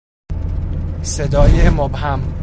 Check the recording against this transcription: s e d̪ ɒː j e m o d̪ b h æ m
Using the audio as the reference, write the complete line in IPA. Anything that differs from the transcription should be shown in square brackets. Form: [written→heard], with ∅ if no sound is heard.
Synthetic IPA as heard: s e d̪ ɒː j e m o [d̪→∅] b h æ m